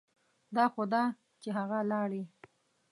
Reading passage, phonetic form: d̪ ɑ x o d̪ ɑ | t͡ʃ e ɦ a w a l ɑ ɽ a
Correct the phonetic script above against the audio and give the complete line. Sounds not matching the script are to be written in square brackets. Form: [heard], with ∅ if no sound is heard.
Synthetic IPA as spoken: d̪ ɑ x o d̪ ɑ | t͡ʃ e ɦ a [ɣ] a l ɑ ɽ [i]